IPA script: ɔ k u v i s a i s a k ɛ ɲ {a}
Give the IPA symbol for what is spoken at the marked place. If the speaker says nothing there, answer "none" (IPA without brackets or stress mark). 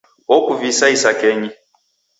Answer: i